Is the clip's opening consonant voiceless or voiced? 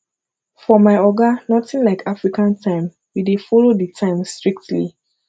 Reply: voiceless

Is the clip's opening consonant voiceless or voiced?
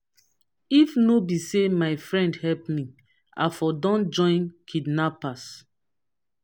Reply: voiceless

